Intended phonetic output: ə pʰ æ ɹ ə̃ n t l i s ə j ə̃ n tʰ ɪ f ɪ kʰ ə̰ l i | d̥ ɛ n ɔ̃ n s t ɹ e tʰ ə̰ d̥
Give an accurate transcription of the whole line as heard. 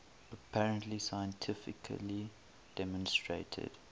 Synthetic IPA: ə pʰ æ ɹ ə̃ n t l i s a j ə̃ n tʰ ɪ f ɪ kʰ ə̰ l i | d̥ ɛ m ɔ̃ n s t ɹ e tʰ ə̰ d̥